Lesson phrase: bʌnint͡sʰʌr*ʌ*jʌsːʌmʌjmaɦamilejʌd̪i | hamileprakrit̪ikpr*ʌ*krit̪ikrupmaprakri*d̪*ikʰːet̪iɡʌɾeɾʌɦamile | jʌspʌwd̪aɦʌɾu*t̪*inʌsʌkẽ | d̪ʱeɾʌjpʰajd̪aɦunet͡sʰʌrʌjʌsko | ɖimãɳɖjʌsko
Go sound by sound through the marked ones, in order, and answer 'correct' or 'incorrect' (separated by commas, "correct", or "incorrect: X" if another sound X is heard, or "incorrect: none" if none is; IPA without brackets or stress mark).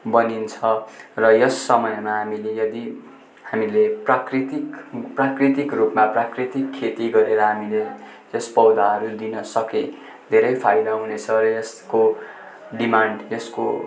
correct, incorrect: a, incorrect: t̪, incorrect: d̪